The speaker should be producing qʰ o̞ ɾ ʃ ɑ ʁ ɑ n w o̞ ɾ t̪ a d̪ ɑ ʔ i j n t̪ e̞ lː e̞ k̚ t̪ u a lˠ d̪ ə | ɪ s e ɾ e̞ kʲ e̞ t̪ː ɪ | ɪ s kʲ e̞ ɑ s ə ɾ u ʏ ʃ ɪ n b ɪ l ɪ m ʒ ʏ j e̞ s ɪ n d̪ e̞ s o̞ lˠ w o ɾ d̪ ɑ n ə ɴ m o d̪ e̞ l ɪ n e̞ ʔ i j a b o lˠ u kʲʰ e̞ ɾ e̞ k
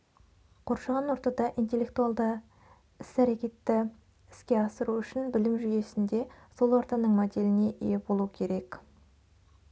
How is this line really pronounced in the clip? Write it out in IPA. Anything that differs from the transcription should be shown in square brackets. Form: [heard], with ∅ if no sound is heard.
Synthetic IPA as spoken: qʰ o̞ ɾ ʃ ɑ ʁ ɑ n w o̞ ɾ t̪ [ɑ] d̪ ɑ ʔ i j n t̪ e̞ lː e̞ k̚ t̪ u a lˠ d̪ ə | ɪ s [æ] ɾ e̞ kʲ e̞ t̪ː ɪ | ɪ s kʲ e̞ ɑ s ə ɾ u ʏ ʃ ɪ n b ɪ l ɪ m ʒ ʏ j e̞ s ɪ n d̪ e̞ s o̞ lˠ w o ɾ [t̪] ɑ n ə ɴ m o d̪ e̞ l ɪ n e̞ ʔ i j [e] b o lˠ u kʲʰ e̞ ɾ e̞ k